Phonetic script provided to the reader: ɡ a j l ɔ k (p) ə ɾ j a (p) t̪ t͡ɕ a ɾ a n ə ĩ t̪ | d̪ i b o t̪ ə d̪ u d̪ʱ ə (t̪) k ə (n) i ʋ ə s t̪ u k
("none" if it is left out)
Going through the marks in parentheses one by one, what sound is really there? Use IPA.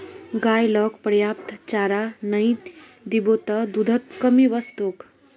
p, p, t̪, m

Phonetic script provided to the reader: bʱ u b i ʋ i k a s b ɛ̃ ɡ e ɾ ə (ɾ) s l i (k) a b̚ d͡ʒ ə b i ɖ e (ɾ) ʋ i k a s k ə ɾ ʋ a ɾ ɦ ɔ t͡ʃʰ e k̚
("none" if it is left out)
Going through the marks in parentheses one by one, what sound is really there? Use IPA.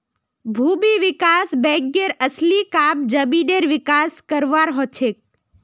none, k, ɾ

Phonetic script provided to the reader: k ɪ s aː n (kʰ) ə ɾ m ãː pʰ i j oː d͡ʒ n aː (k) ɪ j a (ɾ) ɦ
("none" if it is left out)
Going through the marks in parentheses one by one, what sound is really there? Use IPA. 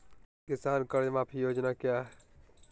k, k, none

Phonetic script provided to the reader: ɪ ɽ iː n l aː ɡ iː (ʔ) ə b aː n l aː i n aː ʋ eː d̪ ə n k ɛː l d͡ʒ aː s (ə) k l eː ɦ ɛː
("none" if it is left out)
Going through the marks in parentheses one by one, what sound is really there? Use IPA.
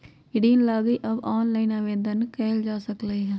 ʔ, ə

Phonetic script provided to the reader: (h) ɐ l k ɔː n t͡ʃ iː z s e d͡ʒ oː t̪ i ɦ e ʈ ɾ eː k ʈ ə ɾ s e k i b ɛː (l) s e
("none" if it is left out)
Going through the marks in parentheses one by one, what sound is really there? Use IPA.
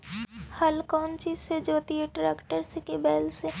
h, l

